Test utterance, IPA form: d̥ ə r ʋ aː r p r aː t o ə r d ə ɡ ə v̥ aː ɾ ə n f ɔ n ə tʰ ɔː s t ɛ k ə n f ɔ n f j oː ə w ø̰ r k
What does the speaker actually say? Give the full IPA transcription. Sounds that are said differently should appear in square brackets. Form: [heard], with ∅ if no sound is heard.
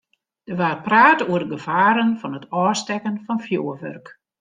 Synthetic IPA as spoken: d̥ ə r ʋ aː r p r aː t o ə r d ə ɡ ə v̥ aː ɾ ə n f ɔ n ə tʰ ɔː s t ɛ k ə n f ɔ n f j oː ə [ʋ] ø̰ r k